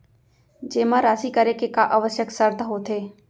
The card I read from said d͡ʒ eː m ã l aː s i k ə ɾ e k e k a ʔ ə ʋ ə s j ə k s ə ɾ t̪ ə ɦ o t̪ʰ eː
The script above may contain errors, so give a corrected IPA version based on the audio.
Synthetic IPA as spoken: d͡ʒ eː m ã ɾ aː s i k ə ɾ e k e k a ʔ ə ʋ ə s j ə k s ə ɾ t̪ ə ɦ o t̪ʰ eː